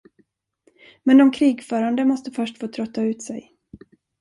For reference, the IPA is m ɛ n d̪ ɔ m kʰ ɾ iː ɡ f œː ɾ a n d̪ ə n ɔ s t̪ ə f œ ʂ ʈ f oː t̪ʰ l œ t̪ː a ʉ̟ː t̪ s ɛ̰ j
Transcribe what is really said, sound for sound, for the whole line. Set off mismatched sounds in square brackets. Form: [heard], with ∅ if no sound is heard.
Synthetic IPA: m ɛ n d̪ ɔ m kʰ ɾ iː ɡ f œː ɾ a n d̪ ə [m] ɔ s t̪ ə f œ ʂ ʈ f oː t̪ʰ [ɾ] œ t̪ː a ʉ̟ː t̪ s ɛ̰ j